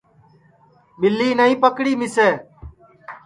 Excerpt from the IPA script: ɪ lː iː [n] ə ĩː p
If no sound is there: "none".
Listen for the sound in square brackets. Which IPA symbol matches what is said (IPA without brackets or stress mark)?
n